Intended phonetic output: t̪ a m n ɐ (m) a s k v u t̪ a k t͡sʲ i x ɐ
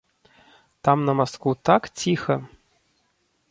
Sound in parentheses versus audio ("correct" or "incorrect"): correct